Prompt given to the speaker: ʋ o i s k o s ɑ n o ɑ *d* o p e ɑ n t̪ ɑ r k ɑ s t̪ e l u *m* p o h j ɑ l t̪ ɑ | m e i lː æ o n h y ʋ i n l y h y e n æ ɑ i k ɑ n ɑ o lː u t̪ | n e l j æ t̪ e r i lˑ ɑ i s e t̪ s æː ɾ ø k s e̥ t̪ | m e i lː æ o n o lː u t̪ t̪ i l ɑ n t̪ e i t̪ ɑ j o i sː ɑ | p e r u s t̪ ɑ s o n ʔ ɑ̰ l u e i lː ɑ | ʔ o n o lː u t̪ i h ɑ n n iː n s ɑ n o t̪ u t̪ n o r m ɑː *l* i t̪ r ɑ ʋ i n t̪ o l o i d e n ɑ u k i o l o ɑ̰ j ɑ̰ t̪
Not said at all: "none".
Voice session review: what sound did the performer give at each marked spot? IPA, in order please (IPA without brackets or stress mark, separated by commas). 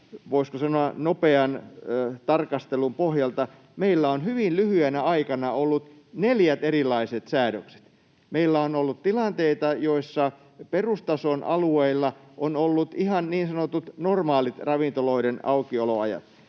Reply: n, m, l